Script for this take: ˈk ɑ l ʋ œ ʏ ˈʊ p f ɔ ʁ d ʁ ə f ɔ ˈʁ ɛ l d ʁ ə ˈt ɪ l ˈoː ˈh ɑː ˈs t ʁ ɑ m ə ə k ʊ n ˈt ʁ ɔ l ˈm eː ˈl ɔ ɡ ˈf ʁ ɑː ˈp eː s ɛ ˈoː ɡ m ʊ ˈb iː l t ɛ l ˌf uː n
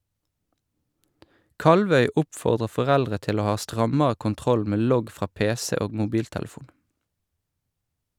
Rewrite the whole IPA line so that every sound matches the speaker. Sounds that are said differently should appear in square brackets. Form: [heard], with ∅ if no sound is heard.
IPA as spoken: ˈk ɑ l ʋ œ ʏ ˈʊ p f ɔ ʁ d ʁ ə f ɔ ˈʁ ɛ l d ʁ ə ˈt ɪ l ˈoː ˈh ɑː ˈs t ʁ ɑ m ə ə k ʊ n ˈt ʁ ɔ l ˈm eː ˈl ɔ ɡ ˈf ʁ ɑː ˈp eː s ɛ ˈoː ɡ m ʊ ˈb iː l t ɛ l ˌf uː n